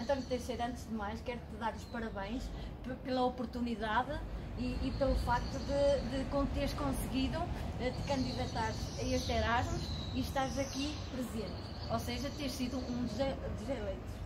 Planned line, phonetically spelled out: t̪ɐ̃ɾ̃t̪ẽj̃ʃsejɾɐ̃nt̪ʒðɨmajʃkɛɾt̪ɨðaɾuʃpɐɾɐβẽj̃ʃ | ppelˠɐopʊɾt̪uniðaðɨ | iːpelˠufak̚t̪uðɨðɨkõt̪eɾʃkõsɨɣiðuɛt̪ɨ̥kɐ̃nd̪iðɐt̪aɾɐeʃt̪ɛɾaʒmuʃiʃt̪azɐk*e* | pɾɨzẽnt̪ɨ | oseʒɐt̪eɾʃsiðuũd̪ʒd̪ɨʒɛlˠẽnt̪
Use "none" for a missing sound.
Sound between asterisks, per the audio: i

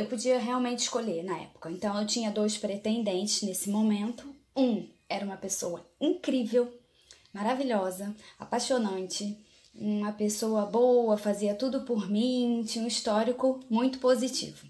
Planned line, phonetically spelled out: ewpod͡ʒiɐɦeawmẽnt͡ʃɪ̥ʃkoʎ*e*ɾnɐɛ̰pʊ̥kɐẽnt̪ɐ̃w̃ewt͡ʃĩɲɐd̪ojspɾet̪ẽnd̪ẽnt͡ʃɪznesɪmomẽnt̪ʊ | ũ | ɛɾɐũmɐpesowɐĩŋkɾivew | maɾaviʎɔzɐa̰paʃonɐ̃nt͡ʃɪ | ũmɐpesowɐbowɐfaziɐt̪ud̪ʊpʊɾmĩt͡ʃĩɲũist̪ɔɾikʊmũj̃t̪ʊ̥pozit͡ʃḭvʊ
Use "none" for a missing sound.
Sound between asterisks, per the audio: e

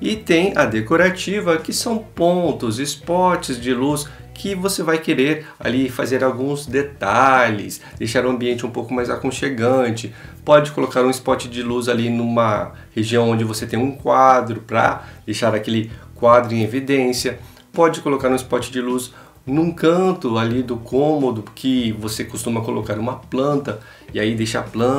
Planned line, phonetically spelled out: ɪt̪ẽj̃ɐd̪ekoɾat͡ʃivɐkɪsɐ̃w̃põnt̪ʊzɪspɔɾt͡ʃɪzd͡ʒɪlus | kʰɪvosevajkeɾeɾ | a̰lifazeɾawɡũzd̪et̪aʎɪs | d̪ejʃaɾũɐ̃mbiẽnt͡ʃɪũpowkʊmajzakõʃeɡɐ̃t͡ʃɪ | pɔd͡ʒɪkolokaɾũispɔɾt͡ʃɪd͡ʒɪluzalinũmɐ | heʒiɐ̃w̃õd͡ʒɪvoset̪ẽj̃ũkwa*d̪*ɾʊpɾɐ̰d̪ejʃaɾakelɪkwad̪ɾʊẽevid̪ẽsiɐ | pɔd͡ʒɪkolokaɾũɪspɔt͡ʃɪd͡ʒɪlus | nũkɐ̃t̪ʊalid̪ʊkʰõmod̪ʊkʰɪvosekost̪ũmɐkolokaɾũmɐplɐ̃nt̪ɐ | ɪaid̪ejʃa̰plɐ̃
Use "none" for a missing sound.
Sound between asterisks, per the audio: d̪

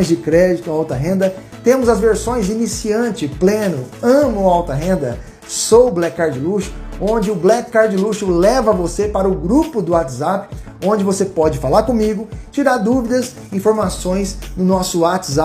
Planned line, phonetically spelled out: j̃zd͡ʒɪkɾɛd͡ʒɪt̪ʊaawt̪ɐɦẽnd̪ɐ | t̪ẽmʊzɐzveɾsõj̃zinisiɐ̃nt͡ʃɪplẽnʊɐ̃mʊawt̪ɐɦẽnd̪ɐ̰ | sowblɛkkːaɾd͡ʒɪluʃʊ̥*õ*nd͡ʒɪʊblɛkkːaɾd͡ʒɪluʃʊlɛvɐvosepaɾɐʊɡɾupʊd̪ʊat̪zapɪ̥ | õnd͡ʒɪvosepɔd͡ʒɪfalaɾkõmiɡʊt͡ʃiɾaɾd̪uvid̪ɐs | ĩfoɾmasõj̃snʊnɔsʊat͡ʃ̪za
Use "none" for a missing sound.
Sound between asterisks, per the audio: õ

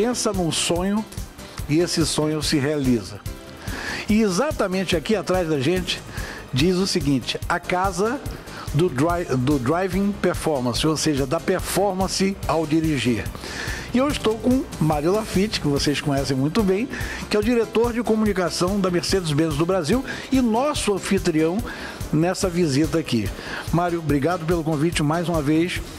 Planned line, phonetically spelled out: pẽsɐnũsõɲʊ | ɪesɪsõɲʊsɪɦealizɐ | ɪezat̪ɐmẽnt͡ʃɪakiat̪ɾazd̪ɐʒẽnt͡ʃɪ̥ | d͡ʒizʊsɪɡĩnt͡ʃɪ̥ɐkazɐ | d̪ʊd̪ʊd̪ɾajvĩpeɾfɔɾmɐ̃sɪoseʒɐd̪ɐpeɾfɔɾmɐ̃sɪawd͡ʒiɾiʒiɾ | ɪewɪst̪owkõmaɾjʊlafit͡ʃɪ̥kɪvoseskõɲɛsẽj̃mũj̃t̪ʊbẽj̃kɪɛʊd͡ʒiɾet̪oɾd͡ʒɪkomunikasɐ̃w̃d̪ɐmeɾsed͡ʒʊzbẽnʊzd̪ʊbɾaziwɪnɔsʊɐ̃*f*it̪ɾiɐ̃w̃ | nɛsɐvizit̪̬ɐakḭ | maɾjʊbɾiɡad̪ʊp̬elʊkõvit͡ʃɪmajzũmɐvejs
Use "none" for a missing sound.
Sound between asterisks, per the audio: f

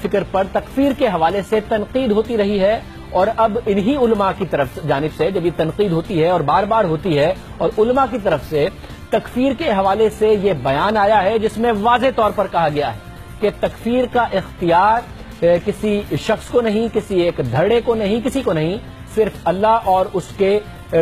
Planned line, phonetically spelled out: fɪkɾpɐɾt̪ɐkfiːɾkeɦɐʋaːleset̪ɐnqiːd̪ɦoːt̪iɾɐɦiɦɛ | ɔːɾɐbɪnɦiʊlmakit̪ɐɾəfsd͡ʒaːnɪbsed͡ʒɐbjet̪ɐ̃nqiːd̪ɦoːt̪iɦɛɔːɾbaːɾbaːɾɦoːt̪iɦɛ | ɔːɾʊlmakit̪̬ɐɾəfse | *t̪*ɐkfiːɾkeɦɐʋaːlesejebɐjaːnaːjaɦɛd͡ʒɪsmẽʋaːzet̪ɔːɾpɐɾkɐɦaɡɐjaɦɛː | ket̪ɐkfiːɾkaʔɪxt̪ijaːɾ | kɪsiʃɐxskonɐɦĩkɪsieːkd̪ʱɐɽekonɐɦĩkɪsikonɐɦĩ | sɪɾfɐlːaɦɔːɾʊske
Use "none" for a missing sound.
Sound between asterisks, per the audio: t̪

